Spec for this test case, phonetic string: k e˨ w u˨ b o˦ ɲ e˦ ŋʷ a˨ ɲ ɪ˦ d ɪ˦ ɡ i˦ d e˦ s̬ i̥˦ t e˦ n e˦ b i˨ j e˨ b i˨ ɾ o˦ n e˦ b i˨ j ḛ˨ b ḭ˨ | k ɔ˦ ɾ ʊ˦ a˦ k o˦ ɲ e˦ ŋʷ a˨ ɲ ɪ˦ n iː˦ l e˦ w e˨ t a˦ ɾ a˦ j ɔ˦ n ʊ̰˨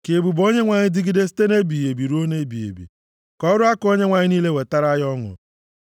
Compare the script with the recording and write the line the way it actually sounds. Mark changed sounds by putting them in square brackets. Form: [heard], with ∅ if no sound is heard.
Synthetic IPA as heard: k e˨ [b] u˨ b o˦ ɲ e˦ ŋʷ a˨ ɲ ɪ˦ d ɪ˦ ɡ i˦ d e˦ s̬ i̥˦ t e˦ n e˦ b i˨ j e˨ b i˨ ɾ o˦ n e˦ b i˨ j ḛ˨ b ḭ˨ | k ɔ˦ ɾ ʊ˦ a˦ k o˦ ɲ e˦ ŋʷ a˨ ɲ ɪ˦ n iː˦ l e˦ w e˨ t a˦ ɾ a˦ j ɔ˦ [ŋ] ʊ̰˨